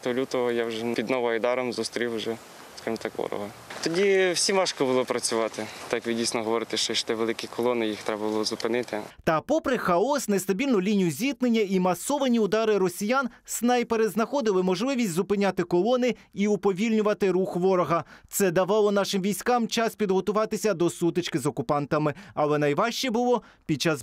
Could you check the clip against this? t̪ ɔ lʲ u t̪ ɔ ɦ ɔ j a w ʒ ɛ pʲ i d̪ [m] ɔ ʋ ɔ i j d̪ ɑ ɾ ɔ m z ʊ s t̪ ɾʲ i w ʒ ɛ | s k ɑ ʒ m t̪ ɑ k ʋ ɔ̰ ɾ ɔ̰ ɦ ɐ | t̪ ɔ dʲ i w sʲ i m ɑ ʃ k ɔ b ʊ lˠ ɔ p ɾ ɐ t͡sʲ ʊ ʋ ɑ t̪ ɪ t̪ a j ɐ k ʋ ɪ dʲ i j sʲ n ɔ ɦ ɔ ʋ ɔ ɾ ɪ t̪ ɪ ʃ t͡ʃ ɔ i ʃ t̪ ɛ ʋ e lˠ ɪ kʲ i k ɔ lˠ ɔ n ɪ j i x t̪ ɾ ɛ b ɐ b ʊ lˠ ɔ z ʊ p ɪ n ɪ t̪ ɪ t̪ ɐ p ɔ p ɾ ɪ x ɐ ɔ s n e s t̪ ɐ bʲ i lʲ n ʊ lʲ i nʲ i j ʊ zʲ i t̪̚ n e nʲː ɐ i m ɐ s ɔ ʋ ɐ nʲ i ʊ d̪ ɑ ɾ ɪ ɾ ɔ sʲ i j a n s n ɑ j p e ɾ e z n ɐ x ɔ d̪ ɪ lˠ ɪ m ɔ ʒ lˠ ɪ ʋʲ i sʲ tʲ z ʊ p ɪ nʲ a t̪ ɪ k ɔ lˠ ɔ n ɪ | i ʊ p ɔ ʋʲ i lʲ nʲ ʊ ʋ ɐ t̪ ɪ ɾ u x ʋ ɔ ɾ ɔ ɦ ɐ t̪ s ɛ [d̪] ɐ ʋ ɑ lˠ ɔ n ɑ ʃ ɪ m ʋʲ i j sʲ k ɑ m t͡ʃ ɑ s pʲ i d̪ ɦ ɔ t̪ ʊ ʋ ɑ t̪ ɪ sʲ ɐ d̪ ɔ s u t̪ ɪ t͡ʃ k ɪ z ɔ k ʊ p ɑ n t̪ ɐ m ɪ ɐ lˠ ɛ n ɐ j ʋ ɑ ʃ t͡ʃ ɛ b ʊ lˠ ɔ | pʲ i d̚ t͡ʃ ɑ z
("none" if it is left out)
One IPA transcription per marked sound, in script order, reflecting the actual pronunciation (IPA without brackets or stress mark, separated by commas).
n, d̪